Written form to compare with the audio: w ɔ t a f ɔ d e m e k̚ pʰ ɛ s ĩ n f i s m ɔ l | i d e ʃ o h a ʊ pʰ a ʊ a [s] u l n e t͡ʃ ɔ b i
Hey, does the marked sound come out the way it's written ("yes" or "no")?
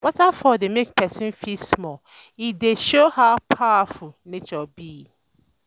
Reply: no